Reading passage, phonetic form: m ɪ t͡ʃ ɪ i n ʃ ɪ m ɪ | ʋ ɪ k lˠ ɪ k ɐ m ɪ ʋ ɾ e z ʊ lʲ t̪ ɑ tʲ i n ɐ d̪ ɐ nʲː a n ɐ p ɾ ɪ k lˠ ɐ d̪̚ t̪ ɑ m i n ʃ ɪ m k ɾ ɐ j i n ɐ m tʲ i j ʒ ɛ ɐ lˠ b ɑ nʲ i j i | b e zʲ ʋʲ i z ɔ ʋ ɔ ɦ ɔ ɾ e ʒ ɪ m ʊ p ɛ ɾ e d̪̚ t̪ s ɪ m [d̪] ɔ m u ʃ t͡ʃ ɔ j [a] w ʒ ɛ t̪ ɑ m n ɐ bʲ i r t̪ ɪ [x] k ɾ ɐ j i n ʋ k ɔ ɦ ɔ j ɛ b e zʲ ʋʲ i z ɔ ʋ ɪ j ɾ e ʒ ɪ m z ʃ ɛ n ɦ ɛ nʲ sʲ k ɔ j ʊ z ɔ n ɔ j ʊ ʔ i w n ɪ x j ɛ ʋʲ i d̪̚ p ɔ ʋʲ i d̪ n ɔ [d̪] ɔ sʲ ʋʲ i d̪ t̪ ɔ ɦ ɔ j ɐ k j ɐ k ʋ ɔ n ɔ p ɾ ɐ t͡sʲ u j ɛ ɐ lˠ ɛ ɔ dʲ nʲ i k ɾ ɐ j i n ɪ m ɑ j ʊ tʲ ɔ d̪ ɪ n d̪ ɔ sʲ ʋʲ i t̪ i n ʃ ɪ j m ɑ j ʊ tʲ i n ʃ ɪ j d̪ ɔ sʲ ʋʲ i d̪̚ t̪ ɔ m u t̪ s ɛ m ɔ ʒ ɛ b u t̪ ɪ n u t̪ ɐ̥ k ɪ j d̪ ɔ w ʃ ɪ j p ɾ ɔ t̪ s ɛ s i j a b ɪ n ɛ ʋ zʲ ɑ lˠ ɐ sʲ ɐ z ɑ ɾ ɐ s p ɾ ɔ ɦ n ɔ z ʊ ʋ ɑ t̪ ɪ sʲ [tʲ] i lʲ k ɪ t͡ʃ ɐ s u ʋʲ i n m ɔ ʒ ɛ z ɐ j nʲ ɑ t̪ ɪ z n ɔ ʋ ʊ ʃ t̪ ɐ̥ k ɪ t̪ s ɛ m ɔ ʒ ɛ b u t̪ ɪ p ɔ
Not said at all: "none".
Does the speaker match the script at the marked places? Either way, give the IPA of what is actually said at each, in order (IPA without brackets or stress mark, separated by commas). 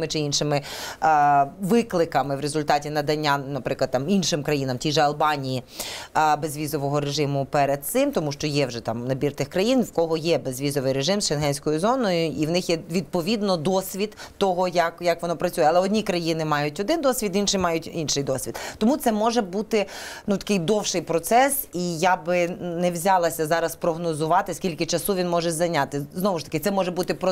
t̪, ɛ, x, d̪, kʲ